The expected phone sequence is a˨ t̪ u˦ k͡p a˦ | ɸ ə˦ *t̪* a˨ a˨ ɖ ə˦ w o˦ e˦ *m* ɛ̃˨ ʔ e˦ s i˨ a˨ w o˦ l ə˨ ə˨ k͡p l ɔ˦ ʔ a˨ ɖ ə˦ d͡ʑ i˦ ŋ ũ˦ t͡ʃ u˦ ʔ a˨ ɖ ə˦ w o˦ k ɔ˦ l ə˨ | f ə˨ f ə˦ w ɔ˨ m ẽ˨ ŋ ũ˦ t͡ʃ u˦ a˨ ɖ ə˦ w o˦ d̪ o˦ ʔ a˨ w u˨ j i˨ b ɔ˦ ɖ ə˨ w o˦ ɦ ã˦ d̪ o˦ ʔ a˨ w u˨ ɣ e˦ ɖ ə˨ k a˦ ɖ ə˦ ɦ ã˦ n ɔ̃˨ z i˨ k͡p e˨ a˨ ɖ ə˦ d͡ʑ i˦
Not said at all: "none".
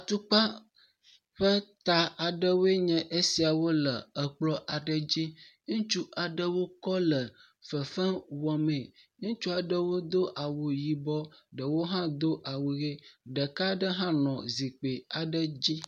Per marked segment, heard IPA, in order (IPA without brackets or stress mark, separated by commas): t̪, ɲ